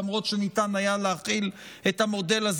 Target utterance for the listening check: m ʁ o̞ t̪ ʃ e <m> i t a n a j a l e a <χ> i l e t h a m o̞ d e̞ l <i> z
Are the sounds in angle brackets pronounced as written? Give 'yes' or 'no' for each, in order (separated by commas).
no, yes, no